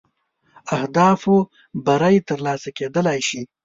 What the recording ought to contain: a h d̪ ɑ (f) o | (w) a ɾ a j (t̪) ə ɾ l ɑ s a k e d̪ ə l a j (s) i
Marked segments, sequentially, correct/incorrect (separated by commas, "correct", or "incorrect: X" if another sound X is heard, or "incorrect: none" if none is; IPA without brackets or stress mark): correct, incorrect: b, correct, incorrect: ʃ